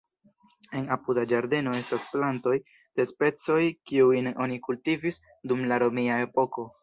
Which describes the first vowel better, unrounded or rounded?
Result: unrounded